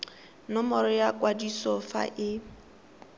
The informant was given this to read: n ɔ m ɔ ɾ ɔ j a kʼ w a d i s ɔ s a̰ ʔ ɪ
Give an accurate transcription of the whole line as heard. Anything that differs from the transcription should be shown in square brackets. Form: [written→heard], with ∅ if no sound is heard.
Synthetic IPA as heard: n ɔ m ɔ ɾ ɔ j a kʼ w a d i s ɔ [s→f] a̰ ʔ ɪ